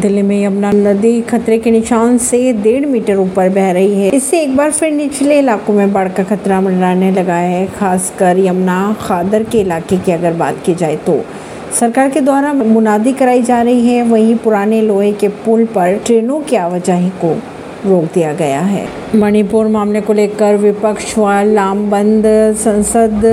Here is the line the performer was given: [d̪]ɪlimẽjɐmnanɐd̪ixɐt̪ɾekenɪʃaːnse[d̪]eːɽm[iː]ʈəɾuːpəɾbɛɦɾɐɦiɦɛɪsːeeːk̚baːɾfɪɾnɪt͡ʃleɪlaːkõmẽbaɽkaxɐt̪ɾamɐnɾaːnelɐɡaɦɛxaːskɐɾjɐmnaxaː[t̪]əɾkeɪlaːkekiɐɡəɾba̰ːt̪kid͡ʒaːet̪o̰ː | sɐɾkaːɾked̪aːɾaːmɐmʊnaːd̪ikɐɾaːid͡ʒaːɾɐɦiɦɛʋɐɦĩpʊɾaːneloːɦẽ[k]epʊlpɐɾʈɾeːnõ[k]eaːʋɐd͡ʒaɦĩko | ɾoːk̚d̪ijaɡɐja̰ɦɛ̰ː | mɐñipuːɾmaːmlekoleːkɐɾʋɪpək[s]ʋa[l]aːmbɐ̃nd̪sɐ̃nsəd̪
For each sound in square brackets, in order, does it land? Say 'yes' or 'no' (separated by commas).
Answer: yes, yes, yes, no, yes, yes, no, yes